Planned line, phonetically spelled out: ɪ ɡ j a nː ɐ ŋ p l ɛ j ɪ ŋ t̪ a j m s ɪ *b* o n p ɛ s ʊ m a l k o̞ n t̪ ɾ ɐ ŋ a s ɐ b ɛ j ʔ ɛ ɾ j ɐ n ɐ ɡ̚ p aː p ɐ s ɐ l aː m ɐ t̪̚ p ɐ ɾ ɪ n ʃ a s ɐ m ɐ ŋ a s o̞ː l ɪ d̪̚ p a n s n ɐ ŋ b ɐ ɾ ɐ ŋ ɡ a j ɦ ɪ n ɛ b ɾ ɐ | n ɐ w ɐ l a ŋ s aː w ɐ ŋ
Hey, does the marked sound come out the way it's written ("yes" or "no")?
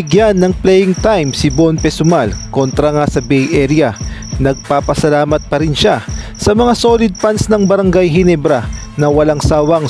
yes